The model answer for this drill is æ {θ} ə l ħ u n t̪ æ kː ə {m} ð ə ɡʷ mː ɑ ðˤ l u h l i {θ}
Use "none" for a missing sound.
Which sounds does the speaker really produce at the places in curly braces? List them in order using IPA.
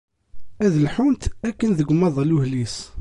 ð, n, s

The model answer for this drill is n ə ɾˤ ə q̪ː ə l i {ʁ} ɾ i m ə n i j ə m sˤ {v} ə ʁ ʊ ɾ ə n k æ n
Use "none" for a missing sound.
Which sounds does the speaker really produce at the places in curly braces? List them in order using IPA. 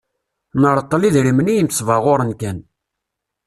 ð, v

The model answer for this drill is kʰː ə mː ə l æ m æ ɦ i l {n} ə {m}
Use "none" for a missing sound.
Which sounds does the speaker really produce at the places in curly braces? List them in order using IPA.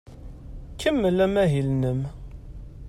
n, m

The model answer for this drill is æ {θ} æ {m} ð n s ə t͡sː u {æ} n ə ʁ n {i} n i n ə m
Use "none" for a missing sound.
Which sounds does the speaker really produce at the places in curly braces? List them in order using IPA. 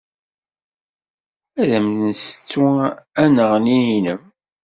ð, m, æ, i

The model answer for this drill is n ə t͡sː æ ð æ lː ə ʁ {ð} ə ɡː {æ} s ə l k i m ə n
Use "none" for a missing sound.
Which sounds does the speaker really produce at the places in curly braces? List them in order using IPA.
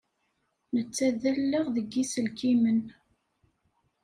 ð, i

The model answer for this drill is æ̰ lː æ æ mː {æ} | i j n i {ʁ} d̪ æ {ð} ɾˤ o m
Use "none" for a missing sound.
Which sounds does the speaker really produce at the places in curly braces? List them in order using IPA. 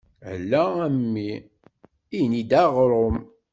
i, none, ʁ

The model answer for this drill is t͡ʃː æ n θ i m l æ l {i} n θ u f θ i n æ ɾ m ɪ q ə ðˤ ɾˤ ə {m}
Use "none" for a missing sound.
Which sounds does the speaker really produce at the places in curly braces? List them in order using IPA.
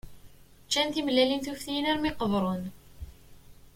i, n

